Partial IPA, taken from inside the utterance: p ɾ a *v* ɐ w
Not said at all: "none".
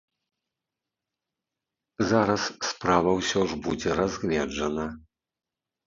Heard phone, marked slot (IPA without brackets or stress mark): v